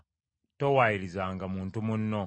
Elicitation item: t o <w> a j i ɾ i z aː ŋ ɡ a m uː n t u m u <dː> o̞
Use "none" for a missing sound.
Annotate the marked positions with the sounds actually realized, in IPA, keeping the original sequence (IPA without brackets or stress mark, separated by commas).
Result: w, nː